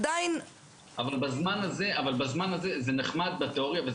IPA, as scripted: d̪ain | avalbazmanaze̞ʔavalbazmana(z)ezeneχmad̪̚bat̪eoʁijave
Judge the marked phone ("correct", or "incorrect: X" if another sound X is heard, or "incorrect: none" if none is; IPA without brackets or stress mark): correct